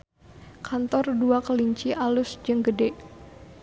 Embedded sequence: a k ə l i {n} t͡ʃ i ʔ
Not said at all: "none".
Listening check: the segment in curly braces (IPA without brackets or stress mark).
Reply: ɲ